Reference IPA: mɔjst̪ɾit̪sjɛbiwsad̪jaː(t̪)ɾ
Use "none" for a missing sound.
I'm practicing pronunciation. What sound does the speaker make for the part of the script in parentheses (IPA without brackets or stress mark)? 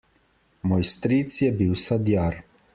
none